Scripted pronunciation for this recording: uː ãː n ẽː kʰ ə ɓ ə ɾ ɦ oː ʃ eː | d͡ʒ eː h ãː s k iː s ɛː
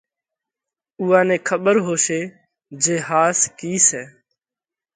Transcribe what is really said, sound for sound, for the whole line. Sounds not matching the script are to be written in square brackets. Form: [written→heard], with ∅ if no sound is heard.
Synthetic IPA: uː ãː n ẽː kʰ ə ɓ ə ɾ ɦ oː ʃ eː | d͡ʒ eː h [ãː→aː] s k iː s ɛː